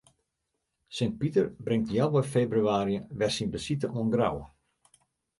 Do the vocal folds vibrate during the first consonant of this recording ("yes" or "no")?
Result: no